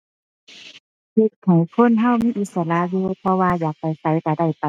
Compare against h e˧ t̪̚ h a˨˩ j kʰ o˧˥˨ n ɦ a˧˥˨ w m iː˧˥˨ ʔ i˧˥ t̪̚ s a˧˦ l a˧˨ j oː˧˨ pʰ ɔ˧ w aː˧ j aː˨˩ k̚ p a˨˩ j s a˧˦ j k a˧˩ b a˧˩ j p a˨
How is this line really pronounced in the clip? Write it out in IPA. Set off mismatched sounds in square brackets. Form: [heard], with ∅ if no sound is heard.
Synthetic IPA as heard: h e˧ t̪̚ h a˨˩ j kʰ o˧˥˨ n ɦ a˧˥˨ w m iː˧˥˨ ʔ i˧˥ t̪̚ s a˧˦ l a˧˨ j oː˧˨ pʰ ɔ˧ w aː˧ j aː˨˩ k̚ p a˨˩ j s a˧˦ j k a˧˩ [d] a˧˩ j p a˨

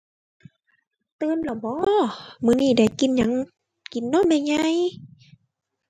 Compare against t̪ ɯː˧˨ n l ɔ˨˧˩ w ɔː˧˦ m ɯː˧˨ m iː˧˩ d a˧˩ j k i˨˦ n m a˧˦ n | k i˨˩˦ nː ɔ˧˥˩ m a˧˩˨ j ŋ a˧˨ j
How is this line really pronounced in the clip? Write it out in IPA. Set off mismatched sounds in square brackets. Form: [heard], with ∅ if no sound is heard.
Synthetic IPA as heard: t̪ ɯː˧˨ n l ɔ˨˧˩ [b] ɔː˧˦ m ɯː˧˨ [n] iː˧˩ d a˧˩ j k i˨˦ n [ɲ] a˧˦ [ŋ] | k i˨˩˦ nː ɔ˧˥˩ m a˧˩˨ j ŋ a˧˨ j

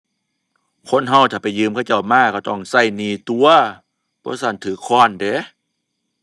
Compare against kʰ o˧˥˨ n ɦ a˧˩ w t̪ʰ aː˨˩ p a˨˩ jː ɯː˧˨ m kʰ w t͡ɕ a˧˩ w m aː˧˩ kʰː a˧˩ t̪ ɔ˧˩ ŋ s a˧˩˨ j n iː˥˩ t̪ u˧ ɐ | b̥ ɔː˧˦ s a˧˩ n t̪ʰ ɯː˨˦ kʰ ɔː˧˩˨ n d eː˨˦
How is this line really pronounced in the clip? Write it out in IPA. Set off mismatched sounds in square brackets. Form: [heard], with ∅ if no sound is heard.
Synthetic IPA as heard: kʰ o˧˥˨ n ɦ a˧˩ w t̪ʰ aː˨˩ p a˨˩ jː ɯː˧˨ m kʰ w t͡ɕ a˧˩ w m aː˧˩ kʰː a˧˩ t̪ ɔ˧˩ ŋ s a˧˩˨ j n [iː˧˩] t̪ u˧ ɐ | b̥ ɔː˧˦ s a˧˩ n t̪ʰ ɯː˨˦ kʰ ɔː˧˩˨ n d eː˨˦

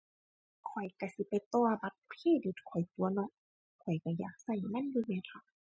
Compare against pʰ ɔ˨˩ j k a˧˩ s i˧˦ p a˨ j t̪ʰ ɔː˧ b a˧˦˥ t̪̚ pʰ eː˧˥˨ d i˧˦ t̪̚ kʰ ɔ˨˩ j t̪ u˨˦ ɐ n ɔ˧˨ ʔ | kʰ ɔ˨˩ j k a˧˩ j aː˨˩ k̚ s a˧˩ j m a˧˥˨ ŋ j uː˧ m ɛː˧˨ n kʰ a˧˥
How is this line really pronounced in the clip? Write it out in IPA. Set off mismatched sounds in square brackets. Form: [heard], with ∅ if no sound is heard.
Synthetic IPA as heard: [kʰ] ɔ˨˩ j k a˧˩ s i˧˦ p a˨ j [t̪] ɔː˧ b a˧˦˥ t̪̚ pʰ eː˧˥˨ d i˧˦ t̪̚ kʰ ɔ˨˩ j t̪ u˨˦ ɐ n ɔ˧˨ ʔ | kʰ ɔ˨˩ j k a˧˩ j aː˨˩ k̚ s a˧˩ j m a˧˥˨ [n] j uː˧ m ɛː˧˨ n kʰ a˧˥

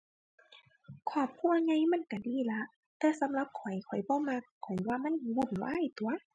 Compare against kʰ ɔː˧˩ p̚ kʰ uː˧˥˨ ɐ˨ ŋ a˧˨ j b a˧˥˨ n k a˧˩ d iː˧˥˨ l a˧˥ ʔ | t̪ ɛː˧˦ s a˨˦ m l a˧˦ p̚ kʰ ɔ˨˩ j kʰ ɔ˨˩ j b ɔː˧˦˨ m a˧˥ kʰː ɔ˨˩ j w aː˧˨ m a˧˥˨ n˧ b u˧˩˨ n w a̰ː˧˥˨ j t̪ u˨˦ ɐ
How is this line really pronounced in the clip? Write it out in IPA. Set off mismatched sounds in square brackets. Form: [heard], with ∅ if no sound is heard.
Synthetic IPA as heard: kʰ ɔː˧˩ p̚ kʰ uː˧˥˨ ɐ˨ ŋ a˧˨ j [m] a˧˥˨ n k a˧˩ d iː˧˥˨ l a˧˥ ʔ | t̪ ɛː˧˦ s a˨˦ m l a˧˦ p̚ kʰ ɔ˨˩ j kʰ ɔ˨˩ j b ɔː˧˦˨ m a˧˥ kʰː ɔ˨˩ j w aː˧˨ m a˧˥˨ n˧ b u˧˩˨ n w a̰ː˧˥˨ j t̪ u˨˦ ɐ

